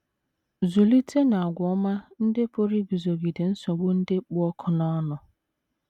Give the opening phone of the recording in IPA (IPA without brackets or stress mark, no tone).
z